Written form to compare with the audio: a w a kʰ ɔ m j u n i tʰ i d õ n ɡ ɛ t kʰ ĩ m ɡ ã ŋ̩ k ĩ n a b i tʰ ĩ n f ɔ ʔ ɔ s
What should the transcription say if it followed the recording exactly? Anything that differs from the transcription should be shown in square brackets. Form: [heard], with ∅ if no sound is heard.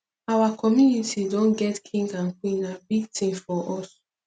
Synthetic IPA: a w a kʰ ɔ m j u n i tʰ i d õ n ɡ ɛ t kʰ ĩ [ŋ] ɡ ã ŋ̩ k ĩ n a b i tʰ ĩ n f ɔ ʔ ɔ s